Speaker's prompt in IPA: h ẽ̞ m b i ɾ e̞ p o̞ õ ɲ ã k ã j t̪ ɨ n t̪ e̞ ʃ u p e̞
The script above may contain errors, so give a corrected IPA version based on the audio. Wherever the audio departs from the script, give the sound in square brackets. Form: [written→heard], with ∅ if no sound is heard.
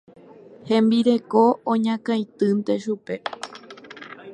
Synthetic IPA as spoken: h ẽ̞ m b i ɾ e̞ [p→k] o̞ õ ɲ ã k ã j t̪ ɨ n t̪ e̞ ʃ u p e̞